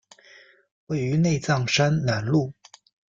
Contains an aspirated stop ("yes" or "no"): no